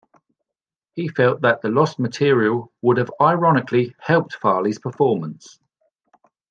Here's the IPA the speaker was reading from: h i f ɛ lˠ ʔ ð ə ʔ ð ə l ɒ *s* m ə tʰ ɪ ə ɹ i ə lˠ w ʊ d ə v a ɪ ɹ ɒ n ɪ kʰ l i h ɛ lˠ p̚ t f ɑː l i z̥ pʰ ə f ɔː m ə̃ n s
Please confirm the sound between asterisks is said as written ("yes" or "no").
yes